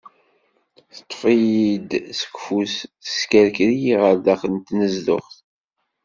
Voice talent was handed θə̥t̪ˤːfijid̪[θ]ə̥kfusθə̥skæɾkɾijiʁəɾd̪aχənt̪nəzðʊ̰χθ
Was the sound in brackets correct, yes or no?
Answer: no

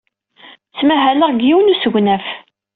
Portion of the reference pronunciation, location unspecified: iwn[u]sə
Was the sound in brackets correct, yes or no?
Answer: yes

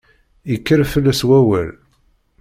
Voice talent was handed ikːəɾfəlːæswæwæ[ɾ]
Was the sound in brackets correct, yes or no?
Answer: no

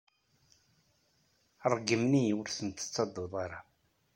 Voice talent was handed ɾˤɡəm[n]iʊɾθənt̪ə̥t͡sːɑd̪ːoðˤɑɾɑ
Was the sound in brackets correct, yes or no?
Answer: yes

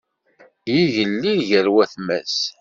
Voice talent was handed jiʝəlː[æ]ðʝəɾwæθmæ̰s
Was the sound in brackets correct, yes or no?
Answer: no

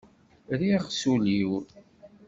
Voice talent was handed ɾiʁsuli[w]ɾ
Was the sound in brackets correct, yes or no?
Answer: yes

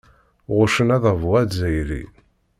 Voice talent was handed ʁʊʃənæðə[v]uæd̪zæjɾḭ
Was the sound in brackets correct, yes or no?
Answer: yes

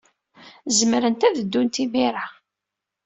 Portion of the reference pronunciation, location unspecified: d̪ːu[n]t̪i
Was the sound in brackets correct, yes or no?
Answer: yes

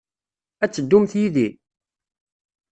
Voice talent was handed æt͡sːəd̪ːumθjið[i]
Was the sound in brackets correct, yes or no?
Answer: yes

